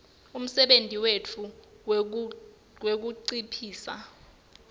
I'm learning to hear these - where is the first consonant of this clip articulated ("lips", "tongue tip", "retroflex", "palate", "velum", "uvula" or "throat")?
lips